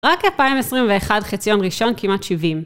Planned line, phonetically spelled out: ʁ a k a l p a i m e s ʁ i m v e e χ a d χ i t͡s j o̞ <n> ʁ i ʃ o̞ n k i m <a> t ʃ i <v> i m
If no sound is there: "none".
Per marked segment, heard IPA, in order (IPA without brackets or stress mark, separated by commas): n, a, v